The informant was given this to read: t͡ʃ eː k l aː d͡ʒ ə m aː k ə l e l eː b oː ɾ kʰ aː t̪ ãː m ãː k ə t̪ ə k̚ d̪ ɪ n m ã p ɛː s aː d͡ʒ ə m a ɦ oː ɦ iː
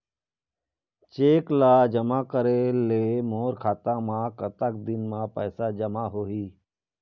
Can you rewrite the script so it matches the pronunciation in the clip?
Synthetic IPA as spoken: t͡ʃ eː k l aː d͡ʒ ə m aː k ə ɾ e l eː m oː ɾ kʰ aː t̪ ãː m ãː k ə t̪ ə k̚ d̪ ɪ n m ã p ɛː s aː d͡ʒ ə m a ɦ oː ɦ iː